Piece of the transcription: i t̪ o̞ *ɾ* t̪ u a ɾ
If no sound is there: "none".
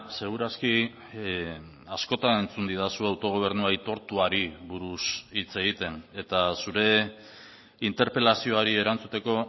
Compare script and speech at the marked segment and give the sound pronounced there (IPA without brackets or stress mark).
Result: ɾ